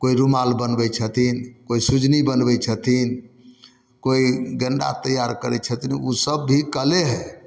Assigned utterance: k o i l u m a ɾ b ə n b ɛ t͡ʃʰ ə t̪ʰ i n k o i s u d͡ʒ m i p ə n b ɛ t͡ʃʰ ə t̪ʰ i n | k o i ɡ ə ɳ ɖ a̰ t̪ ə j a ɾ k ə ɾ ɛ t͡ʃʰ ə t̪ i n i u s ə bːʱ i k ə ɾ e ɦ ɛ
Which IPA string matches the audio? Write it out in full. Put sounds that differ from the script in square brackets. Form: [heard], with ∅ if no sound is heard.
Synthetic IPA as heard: k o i [ɾ] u m a [l] b ə n b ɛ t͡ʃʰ ə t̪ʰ i n k o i s u d͡ʒ [n] i [b] ə n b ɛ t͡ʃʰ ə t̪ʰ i n | k o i ɡ ə ɳ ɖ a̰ t̪ ə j a ɾ k ə ɾ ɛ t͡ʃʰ ə t̪ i n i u s ə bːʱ i k ə [l] e ɦ ɛ